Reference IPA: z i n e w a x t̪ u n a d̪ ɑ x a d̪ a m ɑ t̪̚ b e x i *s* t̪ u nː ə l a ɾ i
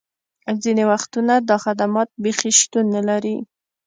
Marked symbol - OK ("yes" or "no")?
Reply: no